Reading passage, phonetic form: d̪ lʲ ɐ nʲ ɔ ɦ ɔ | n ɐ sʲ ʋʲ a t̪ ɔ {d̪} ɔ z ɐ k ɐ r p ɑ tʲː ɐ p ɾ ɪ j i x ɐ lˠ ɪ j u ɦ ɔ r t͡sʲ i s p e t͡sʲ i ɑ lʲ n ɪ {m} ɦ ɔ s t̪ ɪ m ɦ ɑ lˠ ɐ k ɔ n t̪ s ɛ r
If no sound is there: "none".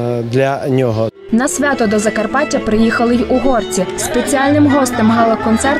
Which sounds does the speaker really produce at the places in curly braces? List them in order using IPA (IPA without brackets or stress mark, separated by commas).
d̪, m